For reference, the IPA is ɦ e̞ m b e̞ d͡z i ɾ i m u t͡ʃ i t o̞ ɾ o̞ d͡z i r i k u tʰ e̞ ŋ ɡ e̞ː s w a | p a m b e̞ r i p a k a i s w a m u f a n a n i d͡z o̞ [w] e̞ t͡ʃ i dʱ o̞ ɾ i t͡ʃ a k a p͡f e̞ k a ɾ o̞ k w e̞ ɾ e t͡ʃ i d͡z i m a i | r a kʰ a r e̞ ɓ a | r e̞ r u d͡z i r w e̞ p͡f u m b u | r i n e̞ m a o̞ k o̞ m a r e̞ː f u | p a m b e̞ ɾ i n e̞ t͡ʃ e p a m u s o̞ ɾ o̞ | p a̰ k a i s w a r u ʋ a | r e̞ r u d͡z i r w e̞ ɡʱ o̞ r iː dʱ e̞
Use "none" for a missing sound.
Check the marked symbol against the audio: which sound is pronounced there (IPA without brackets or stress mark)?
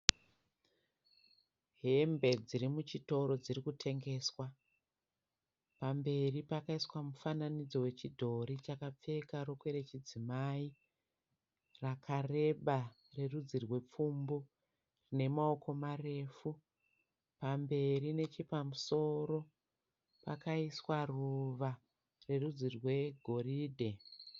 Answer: w